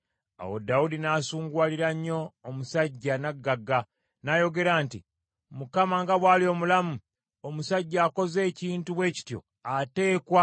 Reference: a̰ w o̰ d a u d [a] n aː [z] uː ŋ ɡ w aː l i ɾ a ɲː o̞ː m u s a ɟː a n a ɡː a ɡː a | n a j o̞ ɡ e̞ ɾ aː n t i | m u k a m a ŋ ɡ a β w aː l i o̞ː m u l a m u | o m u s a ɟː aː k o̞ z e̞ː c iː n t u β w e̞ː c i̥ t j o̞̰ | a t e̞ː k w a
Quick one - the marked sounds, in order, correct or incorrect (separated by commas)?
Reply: incorrect, incorrect